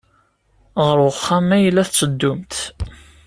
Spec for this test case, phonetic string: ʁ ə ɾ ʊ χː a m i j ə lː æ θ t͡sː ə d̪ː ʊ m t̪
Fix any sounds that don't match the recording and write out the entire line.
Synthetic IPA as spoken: ʁ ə ɾ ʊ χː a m æ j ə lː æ θ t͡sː ə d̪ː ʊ m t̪